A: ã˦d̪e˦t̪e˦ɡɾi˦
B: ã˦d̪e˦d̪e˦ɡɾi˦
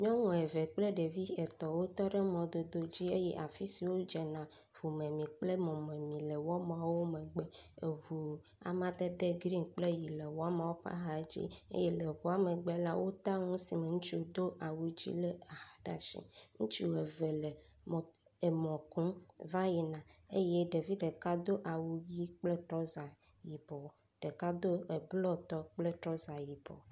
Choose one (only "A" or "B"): B